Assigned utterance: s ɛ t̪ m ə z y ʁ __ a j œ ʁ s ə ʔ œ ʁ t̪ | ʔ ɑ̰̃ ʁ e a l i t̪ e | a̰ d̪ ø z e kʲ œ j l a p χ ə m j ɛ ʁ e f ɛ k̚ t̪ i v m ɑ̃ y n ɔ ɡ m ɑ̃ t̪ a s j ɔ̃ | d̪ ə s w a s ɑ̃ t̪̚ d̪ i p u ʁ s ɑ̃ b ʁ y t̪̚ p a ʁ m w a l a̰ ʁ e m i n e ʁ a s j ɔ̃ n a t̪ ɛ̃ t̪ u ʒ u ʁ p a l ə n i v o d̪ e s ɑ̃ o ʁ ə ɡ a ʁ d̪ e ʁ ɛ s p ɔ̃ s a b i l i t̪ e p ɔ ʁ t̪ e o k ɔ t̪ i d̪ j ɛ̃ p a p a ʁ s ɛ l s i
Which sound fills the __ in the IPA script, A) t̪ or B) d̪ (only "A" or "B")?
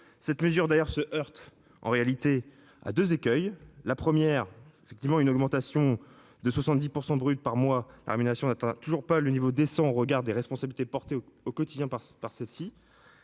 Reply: B